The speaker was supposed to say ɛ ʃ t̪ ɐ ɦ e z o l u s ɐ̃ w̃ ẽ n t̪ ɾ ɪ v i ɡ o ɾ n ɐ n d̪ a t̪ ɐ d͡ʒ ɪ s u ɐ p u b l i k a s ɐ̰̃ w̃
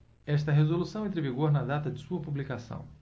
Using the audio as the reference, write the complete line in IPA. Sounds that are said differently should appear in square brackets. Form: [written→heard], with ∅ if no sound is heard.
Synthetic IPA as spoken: ɛ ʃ t̪ ɐ ɦ e z o l u s ɐ̃ w̃ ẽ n t̪ ɾ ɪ v i ɡ o ɾ n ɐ [n→∅] d̪ a t̪ ɐ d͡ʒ ɪ s u ɐ p u b l i k a s ɐ̰̃ w̃